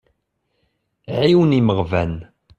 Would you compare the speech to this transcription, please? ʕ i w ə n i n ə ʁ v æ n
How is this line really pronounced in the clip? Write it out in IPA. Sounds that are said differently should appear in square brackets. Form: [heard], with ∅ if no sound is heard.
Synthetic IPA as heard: ʕ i w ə n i [m] ə ʁ v æ n